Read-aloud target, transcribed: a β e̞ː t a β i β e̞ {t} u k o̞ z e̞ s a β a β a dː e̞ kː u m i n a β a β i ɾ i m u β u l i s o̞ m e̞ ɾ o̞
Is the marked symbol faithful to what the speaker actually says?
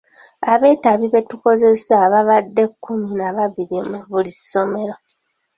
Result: yes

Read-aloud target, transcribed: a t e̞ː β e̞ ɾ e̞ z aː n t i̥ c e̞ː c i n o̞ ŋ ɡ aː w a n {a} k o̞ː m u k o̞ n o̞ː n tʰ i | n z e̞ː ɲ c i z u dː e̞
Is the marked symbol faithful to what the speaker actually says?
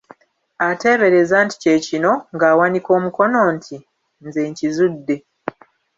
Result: no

